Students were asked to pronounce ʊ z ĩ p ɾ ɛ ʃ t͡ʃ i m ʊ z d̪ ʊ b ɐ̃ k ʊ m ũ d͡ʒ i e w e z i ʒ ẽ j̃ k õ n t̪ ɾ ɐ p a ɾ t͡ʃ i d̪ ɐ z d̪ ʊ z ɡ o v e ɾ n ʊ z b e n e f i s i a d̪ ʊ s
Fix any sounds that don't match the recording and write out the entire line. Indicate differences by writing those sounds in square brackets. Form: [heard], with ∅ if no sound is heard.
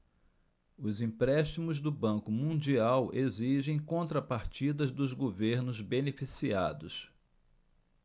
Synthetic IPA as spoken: ʊ z ĩ p ɾ ɛ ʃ t͡ʃ i m ʊ z d̪ ʊ b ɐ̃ k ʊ m ũ d͡ʒ i [a] w e z i ʒ ẽ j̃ k õ n t̪ ɾ ɐ p a ɾ t͡ʃ i d̪ ɐ z d̪ ʊ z ɡ o v e ɾ n ʊ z b e n e f i s i a d̪ ʊ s